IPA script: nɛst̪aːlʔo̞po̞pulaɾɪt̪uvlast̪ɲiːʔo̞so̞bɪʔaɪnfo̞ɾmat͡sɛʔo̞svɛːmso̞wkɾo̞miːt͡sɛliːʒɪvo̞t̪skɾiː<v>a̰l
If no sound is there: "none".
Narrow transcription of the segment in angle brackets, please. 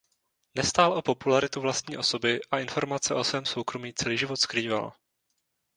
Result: v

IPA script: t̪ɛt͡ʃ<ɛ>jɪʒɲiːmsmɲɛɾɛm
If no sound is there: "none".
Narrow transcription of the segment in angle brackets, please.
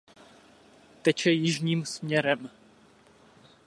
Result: ɛ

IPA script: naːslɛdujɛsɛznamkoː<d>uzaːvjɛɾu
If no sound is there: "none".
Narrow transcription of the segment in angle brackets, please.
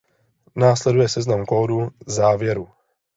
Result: d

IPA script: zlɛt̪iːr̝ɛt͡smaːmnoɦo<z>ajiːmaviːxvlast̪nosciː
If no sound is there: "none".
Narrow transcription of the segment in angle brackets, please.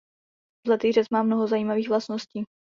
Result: z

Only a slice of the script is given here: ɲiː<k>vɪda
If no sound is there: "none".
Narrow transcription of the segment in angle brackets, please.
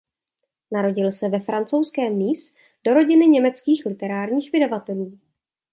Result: x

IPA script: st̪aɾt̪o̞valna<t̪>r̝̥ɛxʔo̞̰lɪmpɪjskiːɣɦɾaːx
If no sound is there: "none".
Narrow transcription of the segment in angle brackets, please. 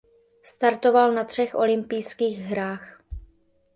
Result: t̪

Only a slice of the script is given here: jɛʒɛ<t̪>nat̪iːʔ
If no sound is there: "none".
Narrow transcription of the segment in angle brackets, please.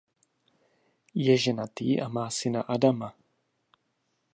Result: none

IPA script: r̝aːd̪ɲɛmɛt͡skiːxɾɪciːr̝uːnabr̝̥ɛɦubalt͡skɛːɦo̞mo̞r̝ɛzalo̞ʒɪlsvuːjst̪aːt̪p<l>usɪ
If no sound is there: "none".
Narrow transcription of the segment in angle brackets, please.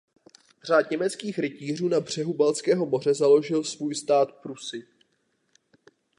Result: ɾ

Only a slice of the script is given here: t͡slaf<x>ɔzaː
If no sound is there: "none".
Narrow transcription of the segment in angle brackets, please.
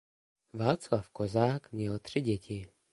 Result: k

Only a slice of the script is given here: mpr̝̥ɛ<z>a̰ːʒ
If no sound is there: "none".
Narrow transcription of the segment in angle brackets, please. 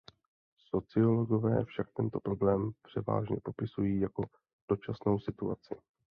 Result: v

